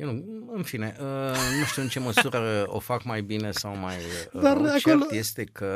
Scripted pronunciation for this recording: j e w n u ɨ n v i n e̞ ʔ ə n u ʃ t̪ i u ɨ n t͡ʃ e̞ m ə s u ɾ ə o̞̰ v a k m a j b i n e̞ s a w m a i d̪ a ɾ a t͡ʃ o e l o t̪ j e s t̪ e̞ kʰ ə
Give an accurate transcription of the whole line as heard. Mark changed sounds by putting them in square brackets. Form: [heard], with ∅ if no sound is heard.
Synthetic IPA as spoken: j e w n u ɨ n [f] i n e̞ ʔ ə n u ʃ t̪ i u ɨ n t͡ʃ e̞ m ə s u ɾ ə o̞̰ [f] a k m a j b i n e̞ s a w m a [j] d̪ a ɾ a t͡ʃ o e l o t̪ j e s t̪ e̞ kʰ ə